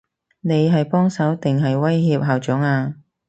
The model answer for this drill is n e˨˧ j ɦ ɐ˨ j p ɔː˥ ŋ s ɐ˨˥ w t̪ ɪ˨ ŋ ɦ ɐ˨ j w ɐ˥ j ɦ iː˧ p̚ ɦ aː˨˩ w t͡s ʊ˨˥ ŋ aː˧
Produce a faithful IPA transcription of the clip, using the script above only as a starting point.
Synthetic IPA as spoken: n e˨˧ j ɦ ɐ˨ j p ɔː˥ ŋ s ɐ˨˥ w t̪ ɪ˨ ŋ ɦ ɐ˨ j w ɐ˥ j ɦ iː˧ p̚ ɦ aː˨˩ w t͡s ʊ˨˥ ŋ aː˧

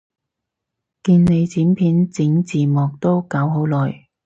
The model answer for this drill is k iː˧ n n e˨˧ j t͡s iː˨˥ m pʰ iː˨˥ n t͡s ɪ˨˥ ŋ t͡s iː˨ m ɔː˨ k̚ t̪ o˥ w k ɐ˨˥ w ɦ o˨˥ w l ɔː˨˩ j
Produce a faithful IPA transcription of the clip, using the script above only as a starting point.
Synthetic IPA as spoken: k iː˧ n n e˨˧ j t͡s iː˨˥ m pʰ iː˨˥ n t͡s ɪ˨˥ ŋ t͡s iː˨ m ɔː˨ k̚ t̪ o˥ w k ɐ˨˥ w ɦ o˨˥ w l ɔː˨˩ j

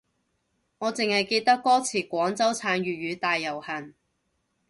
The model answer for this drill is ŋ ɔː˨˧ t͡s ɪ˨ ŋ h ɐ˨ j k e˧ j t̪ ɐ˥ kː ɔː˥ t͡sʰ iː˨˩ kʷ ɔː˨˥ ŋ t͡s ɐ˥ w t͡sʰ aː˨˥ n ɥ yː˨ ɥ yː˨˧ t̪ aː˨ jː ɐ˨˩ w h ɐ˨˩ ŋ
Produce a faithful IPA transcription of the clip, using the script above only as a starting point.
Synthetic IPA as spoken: ŋ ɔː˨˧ t͡s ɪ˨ ŋ h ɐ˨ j k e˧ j t̪ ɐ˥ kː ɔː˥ t͡sʰ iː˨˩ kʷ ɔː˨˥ ŋ t͡s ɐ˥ w t͡sʰ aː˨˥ n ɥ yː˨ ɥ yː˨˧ t̪ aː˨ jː ɐ˨˩ w h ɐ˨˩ n

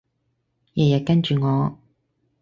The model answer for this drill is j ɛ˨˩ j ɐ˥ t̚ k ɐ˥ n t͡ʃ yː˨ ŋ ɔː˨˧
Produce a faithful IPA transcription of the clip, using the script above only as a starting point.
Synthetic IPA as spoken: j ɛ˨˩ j ɐ˨ t̚ k ɐ˥ n t͡ʃ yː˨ ŋ ɔː˨˧

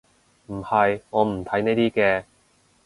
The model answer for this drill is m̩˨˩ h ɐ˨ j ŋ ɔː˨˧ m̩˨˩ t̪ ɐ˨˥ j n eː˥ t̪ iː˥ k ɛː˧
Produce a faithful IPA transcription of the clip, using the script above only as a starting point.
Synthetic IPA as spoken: m̩˨˩ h ɐ˨ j ŋ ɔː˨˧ m̩˨˩ t̪ʰ ɐ˨˥ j n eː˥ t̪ iː˥ k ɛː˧

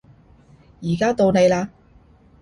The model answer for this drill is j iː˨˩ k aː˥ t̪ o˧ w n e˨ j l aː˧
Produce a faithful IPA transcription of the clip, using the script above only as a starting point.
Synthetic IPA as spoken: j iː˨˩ k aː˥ t̪ o˧ w n e˨ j l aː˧

